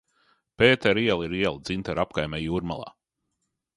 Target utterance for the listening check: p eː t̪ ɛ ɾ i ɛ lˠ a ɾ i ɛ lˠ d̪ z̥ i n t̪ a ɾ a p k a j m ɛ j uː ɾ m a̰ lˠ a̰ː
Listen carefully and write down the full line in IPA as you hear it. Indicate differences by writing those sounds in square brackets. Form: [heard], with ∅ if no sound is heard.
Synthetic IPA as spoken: p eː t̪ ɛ ɾ i ɛ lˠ [i] ɾ i ɛ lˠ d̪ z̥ i n t̪ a ɾ a p k a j m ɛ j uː ɾ m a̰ lˠ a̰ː